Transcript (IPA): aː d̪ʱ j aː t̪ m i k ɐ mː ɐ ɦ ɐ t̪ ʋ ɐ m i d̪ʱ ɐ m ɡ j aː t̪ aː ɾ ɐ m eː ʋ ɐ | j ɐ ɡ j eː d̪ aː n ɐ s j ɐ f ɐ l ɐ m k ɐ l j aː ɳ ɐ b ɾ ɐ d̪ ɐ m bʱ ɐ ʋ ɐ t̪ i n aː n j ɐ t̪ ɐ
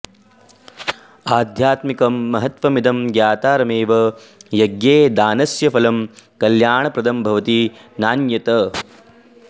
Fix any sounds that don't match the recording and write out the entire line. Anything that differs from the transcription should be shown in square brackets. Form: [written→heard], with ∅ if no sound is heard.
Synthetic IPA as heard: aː d̪ʱ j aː t̪ m i k ɐ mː ɐ ɦ ɐ t̪ ʋ ɐ m i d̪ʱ ɐ m ɡ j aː t̪ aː ɾ ɐ m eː ʋ ɐ | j ɐ ɡ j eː d̪ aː n ɐ s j ɐ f ɐ l ɐ m k ɐ l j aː ɳ ɐ [b→p] ɾ ɐ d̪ ɐ m bʱ ɐ ʋ ɐ t̪ i n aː n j ɐ t̪ ɐ